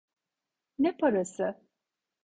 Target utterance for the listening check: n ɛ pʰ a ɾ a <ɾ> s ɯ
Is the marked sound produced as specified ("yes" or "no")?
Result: no